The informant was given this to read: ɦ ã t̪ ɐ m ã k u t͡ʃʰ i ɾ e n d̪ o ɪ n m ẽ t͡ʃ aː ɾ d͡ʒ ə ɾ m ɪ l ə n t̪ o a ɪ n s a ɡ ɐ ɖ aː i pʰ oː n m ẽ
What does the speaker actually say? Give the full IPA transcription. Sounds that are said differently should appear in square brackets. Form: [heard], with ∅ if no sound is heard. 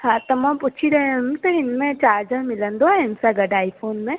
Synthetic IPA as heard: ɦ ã t̪ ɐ m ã [p] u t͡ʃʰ i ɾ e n [t̪] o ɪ n m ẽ t͡ʃ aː ɾ d͡ʒ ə ɾ m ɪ l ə n [d̪] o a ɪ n s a ɡ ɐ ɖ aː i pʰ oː n m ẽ